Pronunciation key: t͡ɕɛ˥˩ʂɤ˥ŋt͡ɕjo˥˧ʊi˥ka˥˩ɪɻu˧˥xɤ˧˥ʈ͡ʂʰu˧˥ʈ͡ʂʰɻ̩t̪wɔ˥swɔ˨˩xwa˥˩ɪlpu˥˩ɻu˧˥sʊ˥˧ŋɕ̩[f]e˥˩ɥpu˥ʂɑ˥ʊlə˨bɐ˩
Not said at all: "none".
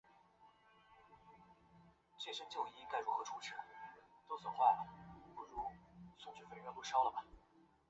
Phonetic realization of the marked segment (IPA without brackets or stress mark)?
f